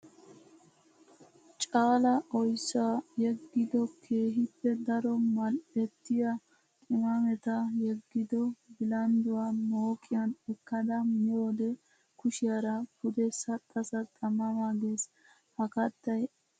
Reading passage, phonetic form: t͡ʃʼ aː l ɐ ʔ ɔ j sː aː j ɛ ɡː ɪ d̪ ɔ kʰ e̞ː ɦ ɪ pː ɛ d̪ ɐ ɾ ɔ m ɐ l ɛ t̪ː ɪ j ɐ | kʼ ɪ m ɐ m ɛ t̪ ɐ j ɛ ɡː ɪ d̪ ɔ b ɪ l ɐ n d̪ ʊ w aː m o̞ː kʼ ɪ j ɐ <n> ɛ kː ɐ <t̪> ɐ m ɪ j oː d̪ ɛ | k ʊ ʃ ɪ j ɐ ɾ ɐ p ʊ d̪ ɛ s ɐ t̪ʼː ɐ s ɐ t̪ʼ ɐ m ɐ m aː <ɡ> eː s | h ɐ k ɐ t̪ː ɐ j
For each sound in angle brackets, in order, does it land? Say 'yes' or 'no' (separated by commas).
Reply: yes, no, yes